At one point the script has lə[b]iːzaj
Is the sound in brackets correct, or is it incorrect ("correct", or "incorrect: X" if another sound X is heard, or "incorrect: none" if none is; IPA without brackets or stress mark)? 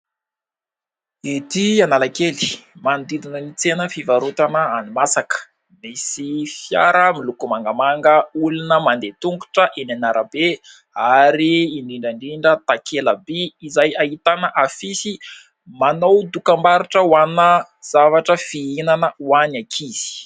correct